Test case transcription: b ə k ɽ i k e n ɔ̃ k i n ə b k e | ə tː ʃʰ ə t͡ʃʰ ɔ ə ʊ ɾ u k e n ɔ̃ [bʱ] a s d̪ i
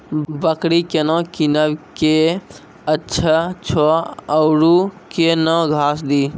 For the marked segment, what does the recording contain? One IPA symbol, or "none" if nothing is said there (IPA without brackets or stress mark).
ɡʱ